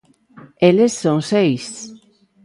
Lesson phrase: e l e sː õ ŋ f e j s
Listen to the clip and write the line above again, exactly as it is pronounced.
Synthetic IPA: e l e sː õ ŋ s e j s